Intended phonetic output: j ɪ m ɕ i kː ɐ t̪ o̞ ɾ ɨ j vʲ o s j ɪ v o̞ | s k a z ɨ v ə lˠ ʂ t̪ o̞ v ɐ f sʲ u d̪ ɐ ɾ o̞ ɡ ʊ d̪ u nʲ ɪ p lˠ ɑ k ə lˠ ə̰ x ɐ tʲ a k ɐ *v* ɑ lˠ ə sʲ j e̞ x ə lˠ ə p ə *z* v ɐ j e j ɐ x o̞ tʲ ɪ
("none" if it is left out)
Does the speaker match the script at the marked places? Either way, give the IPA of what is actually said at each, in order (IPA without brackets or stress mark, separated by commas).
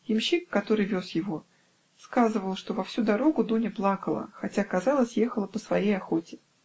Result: z, s